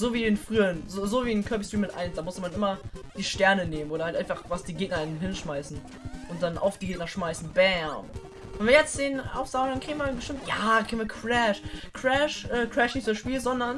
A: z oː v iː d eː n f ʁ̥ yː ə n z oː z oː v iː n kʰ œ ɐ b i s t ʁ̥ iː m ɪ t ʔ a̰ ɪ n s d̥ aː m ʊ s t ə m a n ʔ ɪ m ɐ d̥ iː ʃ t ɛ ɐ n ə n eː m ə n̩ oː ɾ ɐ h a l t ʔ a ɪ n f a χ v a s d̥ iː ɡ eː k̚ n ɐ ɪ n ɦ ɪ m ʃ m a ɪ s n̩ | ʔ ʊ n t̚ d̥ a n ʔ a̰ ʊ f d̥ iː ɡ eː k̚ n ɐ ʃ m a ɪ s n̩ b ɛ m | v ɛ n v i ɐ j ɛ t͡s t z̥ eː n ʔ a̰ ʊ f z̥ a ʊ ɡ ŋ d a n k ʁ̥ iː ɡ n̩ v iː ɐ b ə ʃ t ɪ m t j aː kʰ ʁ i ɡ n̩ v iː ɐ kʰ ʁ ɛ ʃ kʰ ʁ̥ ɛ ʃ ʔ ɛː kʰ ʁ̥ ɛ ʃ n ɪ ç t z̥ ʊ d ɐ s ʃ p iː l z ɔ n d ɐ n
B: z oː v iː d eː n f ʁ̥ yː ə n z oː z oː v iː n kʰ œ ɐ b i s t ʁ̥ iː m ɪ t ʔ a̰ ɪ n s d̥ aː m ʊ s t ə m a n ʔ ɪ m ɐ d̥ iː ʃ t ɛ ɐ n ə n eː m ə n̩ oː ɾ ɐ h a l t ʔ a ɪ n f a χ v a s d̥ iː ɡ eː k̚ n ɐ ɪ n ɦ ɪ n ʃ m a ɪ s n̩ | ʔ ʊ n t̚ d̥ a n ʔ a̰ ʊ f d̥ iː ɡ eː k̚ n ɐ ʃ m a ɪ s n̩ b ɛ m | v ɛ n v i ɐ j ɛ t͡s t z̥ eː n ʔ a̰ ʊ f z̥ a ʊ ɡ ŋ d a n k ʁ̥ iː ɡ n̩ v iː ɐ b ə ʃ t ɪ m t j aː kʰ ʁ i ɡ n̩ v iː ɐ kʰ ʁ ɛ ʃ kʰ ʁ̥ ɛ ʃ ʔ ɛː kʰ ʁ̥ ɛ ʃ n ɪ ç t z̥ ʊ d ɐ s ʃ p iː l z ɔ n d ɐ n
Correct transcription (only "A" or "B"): B